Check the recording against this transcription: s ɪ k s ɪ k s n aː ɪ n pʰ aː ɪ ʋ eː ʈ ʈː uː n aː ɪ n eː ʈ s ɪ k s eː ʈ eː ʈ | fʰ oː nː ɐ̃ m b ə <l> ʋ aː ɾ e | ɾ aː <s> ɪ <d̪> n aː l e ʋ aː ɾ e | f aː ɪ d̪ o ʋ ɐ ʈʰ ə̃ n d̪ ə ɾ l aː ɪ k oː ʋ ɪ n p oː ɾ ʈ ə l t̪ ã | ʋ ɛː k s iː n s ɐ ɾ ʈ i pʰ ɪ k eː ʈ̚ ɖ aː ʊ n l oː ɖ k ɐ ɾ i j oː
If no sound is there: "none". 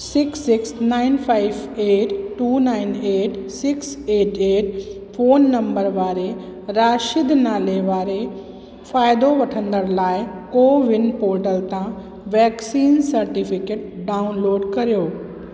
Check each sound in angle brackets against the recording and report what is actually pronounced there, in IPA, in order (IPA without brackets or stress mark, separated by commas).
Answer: ɾ, ʃ, d̪